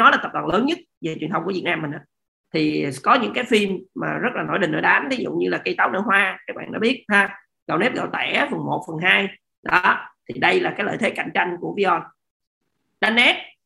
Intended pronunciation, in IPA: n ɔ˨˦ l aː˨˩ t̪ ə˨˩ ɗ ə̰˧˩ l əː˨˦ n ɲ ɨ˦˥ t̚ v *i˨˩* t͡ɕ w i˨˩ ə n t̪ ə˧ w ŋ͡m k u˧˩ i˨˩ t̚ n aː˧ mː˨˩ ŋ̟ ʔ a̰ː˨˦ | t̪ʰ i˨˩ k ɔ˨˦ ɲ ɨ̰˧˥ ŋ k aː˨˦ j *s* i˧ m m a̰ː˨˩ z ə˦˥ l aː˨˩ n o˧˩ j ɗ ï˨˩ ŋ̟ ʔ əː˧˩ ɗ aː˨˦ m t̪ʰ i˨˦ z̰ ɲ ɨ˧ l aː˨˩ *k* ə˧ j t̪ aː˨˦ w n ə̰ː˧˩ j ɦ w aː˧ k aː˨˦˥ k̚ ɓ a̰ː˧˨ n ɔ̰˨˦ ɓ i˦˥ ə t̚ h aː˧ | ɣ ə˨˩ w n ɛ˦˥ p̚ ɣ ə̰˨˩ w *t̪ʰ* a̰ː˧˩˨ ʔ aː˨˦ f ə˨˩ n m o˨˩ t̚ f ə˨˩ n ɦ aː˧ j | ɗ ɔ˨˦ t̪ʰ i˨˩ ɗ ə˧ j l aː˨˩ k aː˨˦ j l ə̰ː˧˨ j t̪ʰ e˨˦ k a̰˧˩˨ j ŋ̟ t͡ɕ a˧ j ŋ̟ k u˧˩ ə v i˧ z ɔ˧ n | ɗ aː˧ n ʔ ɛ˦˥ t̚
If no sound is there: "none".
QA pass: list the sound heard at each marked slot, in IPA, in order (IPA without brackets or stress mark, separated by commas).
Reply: e˨˩, f, k, t̪